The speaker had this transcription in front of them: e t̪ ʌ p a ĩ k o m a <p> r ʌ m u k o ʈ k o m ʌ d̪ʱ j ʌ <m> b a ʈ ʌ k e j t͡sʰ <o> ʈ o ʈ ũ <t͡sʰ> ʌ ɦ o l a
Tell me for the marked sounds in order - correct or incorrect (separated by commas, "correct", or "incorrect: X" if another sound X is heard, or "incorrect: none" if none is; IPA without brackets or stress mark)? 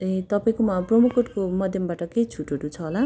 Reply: correct, correct, incorrect: u, correct